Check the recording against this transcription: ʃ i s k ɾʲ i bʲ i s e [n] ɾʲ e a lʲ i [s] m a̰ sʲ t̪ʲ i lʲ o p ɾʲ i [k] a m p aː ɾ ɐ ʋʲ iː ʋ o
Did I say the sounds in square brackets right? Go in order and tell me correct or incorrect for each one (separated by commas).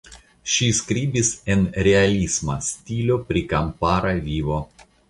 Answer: correct, correct, correct